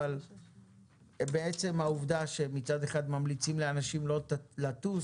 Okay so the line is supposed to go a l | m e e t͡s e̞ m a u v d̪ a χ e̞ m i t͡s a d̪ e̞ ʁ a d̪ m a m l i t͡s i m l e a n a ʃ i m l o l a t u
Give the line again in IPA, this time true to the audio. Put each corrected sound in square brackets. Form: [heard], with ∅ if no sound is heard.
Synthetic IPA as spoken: a l | [b] e e t͡s e̞ m a u v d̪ a [ʃ] e̞ m i t͡s a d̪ e̞ [χ] a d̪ m a m l i t͡s i m l e a n a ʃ i m l o l a t u

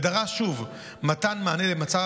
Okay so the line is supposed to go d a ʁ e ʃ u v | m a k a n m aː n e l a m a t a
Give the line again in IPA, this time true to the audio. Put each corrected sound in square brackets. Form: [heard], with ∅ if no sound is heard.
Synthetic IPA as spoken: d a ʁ [a] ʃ u v | m a [t] a n m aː n e l [e] m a [t͡s] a

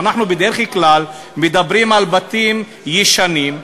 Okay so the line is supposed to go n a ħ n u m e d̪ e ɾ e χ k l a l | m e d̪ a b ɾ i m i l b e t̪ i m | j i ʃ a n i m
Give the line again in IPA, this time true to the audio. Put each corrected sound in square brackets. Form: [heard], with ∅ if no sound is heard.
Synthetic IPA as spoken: n a ħ n u [b] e d̪ e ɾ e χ k l a l | m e d̪ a b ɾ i m [a] l b [a] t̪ i m | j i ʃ a n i m

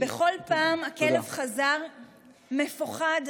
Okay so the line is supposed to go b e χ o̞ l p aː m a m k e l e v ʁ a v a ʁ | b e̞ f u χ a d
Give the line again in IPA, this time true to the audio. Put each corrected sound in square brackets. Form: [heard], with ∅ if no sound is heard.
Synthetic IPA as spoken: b e χ o̞ l p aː m a [∅] k e l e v [χ] a [z] a ʁ | [m] e̞ f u χ a d

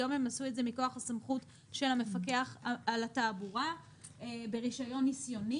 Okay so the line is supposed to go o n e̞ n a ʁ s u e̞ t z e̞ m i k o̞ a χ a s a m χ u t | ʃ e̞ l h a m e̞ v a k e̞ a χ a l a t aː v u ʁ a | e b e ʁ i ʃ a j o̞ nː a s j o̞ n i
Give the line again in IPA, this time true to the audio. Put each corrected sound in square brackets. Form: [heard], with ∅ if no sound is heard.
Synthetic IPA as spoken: o [m] e̞ [m] a [∅] s u e̞ t z e̞ m i k o̞ a χ a s a m χ u t | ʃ e̞ l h a m e̞ [f] a k e̞ a χ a l a t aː [b] u ʁ a | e b e ʁ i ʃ a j o̞ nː [i] s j o̞ n i

